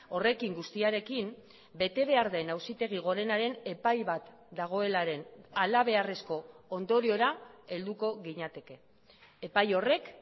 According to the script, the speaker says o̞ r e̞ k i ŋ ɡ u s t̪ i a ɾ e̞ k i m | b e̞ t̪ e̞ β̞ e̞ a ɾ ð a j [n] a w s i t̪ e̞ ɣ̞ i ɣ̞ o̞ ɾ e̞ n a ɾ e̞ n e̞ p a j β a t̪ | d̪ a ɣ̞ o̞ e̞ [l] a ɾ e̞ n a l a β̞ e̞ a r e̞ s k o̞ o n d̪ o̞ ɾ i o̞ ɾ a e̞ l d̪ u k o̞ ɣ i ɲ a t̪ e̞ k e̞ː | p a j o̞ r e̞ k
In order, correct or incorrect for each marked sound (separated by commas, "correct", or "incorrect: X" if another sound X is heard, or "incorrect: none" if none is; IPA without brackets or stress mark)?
correct, correct